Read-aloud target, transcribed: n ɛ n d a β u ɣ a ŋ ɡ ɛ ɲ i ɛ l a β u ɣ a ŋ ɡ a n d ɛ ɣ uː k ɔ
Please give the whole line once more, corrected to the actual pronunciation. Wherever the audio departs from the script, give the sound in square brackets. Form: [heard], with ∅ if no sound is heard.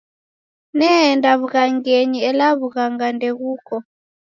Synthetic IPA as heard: n ɛ n d a β u ɣ a ŋ ɡ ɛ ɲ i ɛ l a β u ɣ a ŋ ɡ a n d ɛ ɣ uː k ɔ